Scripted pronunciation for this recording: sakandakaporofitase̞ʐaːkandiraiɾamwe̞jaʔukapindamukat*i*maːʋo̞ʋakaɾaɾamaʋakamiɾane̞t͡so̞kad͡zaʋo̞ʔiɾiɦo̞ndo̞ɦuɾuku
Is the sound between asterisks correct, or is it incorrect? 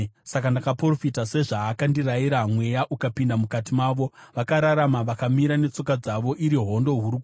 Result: correct